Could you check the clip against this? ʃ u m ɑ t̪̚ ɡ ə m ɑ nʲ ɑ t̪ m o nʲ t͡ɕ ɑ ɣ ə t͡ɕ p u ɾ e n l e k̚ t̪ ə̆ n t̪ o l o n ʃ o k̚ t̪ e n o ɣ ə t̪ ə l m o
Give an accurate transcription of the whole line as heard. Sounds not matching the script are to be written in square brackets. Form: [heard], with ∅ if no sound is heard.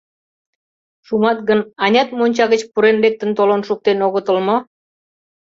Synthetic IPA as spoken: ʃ u m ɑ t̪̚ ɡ ə [n] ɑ nʲ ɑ t̪ m o nʲ t͡ɕ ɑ ɣ ə t͡ɕ p u ɾ e n l e k̚ t̪ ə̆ n t̪ o l o n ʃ [u] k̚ t̪ e n o ɣ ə t̪ ə l m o